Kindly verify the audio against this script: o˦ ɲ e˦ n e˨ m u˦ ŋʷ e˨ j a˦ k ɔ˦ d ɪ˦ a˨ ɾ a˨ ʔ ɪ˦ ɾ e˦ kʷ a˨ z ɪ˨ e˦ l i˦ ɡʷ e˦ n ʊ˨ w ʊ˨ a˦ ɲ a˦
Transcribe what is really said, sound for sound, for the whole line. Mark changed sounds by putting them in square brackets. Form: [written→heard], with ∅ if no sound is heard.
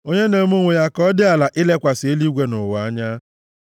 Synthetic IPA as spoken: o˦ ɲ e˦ n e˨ m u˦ ŋʷ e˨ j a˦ k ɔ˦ d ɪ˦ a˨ [ɾ→l] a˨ ʔ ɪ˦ [ɾ→l] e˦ kʷ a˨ [z→s] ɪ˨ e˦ l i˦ ɡʷ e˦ n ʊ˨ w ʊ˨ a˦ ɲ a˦